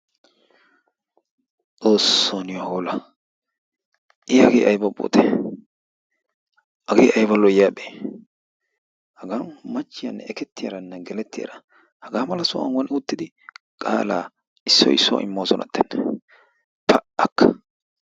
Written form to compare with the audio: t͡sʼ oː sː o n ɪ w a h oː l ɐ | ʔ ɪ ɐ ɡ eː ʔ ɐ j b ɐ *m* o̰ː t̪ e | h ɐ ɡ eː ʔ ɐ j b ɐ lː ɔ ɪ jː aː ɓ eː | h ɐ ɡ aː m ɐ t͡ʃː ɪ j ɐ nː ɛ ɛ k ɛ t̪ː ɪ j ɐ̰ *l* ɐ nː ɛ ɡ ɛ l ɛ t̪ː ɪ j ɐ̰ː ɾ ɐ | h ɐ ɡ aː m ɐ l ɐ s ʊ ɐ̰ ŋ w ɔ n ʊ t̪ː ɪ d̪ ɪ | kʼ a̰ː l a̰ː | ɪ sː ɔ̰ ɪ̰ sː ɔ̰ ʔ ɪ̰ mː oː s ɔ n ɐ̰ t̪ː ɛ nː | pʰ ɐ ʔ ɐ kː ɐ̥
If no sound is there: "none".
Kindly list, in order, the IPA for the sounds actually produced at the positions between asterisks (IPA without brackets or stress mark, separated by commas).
b, ɾ